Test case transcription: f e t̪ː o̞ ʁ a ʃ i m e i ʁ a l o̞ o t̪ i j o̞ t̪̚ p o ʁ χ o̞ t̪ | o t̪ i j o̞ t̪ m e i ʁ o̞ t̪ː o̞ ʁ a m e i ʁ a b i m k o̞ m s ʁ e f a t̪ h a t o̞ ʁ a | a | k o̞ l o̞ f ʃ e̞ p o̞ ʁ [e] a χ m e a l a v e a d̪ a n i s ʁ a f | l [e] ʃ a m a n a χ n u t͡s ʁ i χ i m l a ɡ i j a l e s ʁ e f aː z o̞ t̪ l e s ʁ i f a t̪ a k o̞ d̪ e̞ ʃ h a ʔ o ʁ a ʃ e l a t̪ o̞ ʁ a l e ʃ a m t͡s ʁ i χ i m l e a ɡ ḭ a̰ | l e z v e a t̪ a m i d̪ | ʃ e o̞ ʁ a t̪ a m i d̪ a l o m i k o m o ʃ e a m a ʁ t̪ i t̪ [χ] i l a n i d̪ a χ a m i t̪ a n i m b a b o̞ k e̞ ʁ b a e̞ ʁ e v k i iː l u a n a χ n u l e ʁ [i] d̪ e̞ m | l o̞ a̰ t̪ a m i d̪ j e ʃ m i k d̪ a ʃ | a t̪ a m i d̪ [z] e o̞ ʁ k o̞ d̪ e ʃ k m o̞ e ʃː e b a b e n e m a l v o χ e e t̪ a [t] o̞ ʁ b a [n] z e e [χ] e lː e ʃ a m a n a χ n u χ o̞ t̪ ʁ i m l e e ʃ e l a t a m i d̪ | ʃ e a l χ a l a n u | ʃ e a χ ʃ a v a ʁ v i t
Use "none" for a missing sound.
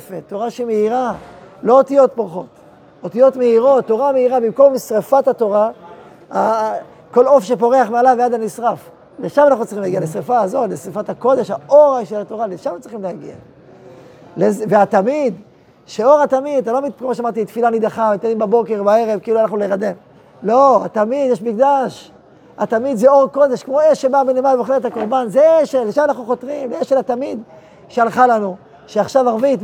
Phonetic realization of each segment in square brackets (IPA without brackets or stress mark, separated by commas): e, e, f, a, z, k, n, ʃ